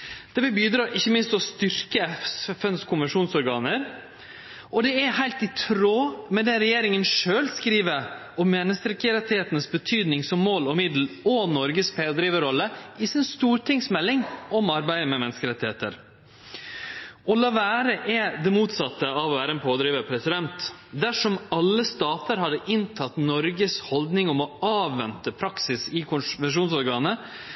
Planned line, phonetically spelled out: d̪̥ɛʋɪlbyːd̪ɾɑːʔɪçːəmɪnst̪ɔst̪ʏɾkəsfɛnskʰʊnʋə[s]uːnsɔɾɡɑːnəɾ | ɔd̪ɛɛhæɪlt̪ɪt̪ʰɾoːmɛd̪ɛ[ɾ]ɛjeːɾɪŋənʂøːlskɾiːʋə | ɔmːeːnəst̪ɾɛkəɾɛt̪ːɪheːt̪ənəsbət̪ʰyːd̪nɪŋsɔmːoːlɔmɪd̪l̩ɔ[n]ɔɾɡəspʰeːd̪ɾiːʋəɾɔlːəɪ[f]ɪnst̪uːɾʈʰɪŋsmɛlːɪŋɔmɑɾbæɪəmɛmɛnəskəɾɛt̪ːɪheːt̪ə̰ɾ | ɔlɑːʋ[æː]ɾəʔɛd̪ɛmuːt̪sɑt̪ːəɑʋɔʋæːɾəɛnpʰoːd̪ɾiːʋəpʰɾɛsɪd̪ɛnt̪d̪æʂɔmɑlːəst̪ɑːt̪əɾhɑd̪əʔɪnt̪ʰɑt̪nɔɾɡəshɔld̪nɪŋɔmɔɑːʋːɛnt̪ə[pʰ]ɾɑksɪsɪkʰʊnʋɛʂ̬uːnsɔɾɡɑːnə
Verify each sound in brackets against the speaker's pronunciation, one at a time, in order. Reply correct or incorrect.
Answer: incorrect: ʂ, correct, correct, incorrect: s, correct, correct

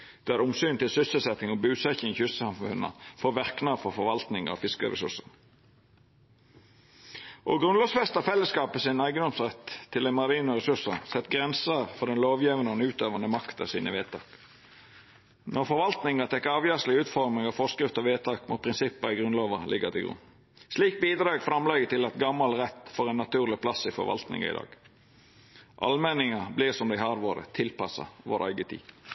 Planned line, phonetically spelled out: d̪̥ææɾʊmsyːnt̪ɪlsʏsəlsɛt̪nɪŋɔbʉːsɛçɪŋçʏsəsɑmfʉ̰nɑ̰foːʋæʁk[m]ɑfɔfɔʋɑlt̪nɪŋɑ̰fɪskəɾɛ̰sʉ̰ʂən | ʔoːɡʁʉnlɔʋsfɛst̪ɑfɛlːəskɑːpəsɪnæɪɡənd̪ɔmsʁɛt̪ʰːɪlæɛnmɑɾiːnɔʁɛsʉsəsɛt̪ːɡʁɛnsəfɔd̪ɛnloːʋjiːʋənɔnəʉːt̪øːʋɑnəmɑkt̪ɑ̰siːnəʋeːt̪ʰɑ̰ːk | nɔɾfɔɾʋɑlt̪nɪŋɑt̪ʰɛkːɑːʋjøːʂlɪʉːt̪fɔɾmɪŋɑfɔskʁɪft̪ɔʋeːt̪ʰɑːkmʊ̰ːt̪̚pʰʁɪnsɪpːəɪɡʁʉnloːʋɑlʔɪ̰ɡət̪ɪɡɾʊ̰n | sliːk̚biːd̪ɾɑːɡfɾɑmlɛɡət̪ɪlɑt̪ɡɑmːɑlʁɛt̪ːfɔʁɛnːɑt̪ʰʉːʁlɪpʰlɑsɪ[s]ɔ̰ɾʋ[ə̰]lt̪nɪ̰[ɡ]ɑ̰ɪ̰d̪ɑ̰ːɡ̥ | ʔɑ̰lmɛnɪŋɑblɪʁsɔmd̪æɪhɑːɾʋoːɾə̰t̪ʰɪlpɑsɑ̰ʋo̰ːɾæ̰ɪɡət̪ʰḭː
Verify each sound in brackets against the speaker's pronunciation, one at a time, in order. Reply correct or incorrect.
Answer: incorrect: n, incorrect: f, incorrect: ɑ̰, incorrect: ŋ

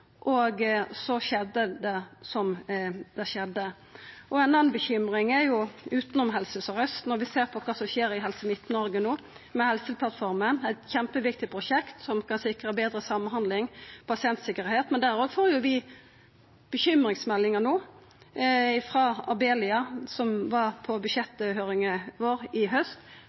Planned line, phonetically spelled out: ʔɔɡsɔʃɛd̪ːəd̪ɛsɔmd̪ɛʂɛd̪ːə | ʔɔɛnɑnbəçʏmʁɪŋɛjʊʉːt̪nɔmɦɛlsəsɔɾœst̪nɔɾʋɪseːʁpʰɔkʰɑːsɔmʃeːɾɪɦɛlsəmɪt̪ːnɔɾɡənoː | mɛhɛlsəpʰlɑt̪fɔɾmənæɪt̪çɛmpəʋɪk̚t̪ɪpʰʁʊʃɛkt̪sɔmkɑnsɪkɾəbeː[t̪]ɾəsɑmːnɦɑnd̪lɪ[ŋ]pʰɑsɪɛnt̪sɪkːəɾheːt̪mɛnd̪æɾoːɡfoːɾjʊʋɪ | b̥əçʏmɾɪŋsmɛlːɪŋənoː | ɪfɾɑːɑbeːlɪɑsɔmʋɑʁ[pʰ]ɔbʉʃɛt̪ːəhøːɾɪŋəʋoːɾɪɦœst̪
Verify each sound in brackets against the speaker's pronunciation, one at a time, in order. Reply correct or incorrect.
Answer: incorrect: d̪, correct, correct

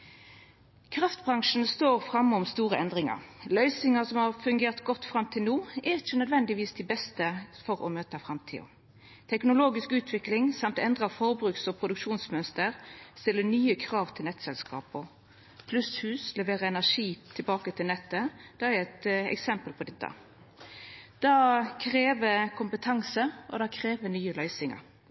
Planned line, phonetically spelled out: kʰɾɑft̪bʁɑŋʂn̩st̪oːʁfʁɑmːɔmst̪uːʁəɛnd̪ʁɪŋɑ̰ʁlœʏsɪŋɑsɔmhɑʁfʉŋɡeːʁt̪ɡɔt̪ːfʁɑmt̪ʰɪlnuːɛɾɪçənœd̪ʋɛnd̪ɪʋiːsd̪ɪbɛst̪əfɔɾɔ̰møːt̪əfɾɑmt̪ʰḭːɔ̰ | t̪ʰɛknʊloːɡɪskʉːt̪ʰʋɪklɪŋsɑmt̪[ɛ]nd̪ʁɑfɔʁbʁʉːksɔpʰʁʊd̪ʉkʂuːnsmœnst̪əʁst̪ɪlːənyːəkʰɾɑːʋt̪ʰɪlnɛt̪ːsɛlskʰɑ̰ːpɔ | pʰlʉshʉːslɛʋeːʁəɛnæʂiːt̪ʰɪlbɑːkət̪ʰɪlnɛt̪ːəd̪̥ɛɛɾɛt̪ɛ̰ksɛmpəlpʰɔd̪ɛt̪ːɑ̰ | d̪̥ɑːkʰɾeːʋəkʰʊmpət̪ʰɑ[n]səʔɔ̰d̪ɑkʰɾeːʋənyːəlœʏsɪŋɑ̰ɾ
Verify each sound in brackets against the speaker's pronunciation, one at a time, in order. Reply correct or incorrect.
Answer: correct, incorrect: ŋ

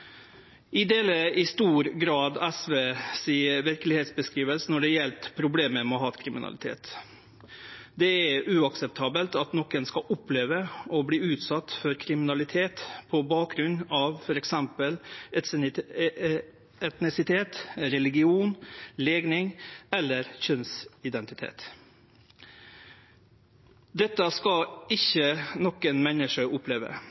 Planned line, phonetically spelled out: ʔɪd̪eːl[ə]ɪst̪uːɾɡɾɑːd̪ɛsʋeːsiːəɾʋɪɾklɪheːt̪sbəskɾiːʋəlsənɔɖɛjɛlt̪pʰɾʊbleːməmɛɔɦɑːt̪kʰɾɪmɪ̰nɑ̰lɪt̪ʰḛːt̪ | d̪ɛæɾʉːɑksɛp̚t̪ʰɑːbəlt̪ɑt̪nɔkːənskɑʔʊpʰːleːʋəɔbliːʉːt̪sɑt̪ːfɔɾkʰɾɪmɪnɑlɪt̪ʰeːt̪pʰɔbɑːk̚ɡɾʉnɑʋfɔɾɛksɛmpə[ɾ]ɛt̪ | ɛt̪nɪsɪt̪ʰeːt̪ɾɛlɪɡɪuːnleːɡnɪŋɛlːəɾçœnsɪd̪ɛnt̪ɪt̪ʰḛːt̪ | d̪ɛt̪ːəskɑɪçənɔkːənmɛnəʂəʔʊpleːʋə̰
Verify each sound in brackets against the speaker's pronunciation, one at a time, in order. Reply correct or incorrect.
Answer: correct, incorrect: l

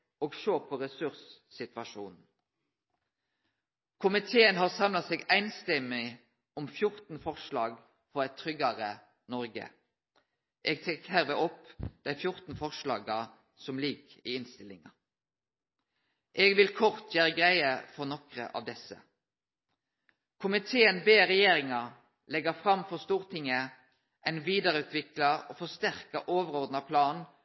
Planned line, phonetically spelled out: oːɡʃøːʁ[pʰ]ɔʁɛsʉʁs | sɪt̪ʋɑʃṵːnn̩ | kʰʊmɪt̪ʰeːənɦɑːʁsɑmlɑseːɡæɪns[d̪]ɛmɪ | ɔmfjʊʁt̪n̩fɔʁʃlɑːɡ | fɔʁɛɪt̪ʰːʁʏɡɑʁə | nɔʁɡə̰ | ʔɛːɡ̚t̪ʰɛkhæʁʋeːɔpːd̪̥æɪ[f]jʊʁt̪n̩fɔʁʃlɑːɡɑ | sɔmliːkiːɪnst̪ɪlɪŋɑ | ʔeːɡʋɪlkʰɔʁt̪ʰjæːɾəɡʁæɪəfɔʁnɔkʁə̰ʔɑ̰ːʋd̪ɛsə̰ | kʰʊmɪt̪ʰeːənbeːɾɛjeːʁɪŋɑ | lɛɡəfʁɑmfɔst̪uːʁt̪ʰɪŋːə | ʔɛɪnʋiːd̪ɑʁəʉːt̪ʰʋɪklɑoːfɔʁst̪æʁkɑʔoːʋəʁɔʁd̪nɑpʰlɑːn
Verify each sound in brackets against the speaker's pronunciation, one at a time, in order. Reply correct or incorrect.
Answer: correct, incorrect: t̪, correct

